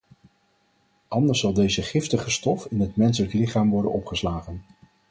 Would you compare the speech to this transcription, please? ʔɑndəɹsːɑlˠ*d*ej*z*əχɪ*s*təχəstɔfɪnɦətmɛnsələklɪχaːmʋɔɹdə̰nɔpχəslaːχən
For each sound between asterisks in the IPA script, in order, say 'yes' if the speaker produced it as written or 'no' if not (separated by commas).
yes, yes, no